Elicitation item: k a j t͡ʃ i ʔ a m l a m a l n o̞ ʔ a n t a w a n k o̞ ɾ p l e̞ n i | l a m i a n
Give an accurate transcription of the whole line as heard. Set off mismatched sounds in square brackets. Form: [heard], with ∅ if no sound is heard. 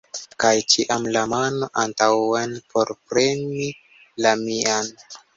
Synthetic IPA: k a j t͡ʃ i ʔ a m l a m a [∅] n o̞ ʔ a n t a w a n [p] o̞ ɾ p [ɾ] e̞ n i | l a m i a n